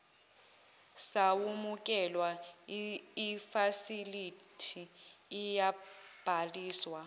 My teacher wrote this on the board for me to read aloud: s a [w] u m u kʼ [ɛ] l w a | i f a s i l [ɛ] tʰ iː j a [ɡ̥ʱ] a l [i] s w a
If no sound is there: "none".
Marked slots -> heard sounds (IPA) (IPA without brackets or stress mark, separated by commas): w, ɛ, i, b̥ʱ, iː